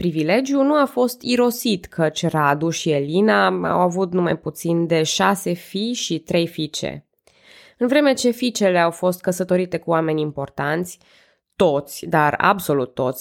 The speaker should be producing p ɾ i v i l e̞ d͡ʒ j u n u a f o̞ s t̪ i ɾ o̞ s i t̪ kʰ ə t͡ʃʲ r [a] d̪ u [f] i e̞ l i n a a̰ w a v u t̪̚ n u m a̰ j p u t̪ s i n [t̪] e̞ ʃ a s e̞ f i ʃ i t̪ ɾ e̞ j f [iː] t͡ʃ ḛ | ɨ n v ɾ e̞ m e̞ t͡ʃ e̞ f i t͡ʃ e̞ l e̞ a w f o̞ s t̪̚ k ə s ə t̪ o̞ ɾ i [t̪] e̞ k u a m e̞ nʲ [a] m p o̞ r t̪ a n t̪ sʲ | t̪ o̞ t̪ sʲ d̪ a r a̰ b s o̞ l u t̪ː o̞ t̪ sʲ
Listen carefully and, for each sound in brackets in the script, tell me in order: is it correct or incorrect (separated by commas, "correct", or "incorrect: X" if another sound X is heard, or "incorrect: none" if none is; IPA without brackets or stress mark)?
correct, incorrect: ʃ, incorrect: d̪, incorrect: i, correct, incorrect: i